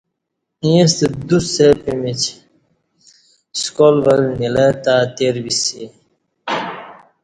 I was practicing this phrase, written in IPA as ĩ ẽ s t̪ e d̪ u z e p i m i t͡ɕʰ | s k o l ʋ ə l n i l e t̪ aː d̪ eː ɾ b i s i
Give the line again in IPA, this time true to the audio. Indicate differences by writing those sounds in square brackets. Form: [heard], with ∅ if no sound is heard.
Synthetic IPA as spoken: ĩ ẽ s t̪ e d̪ u [s] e p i m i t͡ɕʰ | s k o l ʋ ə l n i l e t̪ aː [t̪] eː ɾ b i s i